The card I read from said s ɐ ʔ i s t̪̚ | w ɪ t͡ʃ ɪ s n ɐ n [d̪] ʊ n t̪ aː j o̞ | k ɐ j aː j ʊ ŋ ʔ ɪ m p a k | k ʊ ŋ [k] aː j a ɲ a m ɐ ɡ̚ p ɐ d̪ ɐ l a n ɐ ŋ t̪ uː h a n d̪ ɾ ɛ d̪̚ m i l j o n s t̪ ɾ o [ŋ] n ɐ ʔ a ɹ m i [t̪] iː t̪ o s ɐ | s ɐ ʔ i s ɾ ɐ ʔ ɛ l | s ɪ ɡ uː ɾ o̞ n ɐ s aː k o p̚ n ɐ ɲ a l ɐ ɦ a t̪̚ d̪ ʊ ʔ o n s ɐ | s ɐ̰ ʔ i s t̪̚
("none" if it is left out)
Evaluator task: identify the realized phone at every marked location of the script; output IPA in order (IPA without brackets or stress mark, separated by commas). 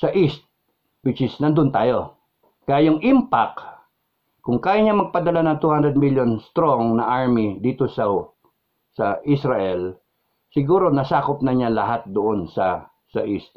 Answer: d̪, k, ŋ, d̪